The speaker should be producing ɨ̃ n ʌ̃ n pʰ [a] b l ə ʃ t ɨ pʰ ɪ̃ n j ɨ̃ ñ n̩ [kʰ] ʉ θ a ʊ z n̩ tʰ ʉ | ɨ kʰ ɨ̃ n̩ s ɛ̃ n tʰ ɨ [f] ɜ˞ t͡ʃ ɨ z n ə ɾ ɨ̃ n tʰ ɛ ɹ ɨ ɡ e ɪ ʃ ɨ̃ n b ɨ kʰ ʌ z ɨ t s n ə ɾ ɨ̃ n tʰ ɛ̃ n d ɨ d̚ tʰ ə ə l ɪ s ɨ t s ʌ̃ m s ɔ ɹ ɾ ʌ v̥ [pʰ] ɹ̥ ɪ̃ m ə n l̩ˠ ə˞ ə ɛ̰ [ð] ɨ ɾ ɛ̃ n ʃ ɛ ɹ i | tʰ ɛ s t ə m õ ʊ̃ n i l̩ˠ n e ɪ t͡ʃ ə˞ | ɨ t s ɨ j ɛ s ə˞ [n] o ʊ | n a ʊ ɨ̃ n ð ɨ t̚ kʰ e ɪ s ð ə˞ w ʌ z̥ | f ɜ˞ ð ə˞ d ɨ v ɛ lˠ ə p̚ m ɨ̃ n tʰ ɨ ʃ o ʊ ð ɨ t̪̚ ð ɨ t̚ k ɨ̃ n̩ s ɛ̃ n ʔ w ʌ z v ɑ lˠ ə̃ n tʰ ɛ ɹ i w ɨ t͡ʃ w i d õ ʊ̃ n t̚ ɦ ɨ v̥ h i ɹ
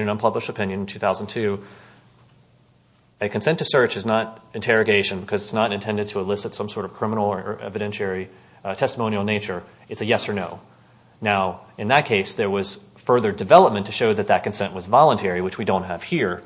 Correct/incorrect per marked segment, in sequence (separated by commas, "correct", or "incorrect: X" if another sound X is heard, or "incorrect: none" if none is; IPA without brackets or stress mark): incorrect: ʌ, incorrect: tʰ, incorrect: s, incorrect: kʰ, incorrect: v, correct